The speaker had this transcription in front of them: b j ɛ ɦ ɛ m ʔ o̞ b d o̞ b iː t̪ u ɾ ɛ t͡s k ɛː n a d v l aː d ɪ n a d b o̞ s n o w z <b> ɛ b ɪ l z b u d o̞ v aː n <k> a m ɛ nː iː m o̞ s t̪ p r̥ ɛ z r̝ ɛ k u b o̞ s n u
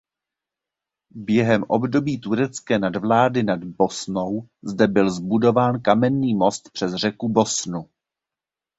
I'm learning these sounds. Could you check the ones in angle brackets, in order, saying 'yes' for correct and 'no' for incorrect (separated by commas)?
no, yes